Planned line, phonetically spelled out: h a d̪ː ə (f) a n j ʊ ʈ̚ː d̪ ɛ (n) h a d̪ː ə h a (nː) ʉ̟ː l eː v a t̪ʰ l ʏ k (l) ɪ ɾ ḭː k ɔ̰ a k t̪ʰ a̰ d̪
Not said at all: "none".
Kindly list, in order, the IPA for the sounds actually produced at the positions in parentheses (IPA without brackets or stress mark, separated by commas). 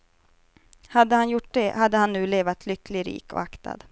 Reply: h, none, nː, l